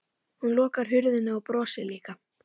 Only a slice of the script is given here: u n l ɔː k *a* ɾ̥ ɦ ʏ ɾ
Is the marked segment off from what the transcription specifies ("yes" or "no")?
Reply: no